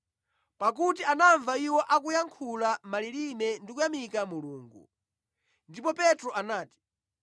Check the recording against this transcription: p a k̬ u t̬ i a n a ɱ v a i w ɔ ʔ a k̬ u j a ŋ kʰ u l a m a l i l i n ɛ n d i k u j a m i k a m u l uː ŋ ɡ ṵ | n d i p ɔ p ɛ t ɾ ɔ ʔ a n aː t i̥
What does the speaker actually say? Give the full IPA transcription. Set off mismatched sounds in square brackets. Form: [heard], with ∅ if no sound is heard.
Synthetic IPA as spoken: p a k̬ u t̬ i a n a ɱ v a i w ɔ ʔ a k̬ u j a ŋ kʰ u l a m a l i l i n ɛ n d i k u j a m i k a m u l uː ŋ ɡ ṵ | n d i p ɔ p ɛ t ɾ ɔ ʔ a n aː t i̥